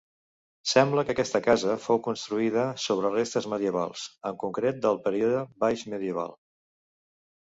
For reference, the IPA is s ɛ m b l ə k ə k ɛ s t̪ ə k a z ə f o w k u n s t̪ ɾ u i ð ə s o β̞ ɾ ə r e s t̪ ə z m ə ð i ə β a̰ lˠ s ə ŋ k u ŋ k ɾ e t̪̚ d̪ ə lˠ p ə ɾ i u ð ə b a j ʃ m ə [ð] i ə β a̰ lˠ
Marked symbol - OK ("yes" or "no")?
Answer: yes